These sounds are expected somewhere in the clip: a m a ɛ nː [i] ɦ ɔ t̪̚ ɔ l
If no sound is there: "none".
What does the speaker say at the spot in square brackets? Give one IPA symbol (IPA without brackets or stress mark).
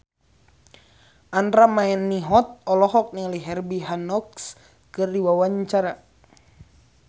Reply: i